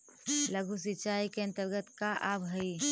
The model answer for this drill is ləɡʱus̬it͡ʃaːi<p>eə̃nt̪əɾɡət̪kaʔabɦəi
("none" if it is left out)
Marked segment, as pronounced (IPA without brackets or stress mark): k